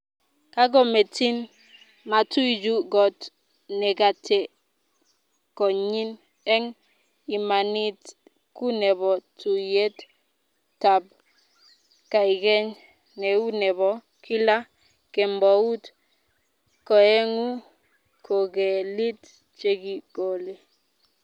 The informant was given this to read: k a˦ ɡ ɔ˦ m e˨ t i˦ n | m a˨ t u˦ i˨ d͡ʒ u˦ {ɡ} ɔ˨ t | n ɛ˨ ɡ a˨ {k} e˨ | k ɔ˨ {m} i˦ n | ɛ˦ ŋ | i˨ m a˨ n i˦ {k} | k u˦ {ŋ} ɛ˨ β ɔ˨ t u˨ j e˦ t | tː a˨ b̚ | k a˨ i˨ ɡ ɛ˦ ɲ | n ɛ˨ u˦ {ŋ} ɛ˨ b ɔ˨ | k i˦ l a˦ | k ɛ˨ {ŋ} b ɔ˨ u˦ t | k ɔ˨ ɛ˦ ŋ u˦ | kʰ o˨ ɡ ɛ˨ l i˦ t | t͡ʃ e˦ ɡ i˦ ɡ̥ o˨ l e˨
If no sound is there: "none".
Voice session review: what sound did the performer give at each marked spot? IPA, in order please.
ɡ, t, ɲ, t, n, n, m

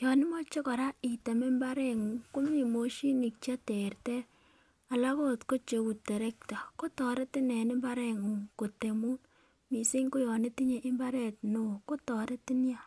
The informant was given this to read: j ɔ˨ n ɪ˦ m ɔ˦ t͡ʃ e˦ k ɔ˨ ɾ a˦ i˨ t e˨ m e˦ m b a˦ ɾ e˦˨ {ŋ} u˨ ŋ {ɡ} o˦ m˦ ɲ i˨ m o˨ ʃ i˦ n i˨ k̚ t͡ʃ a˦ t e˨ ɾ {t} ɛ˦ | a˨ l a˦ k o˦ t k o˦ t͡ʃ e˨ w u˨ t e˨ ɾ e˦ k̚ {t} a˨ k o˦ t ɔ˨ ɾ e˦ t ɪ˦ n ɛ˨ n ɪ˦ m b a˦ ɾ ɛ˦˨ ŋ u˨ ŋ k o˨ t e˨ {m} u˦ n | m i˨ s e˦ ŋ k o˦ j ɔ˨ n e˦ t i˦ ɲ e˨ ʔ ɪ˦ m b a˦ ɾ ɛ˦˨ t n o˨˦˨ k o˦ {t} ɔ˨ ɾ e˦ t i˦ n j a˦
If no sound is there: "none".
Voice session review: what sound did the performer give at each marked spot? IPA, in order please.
ŋ, k, t, t, m, t

